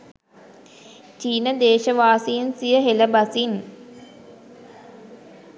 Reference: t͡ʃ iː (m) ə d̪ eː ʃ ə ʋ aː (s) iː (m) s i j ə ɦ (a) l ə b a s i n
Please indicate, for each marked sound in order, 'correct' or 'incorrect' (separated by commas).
incorrect, correct, incorrect, incorrect